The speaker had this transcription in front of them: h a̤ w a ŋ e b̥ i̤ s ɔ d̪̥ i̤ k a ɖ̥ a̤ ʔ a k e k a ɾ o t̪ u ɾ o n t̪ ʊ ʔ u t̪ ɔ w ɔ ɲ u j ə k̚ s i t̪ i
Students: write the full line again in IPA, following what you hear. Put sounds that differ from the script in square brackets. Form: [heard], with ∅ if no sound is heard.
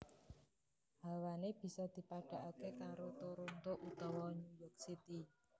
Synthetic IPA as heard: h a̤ w a [n] e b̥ i̤ s ɔ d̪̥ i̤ [p] a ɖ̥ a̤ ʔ a k e k a ɾ o t̪ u ɾ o n t̪ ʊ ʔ u t̪ ɔ w ɔ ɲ u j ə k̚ s i t̪ i